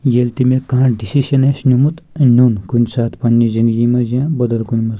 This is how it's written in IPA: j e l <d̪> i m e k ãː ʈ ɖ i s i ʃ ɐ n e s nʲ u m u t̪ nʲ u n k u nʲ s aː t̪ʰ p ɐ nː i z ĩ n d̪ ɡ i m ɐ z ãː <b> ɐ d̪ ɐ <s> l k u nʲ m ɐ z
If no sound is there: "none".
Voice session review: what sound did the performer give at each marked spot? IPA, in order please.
t̪, b, none

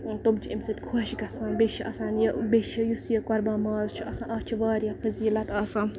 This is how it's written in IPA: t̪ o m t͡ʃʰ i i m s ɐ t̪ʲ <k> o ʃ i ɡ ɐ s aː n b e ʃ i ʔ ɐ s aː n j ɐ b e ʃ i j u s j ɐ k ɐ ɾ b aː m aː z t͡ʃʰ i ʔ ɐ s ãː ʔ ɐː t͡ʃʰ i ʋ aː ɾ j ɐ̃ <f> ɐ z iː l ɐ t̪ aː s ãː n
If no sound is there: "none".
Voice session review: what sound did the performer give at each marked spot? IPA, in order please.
kʰ, f

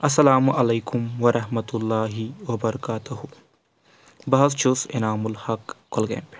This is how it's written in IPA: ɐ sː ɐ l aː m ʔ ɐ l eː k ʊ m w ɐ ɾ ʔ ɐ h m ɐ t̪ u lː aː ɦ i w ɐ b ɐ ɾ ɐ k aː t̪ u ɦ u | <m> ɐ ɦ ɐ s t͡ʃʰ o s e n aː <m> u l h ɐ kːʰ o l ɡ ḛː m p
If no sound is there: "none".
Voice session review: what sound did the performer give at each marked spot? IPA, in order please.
b, m

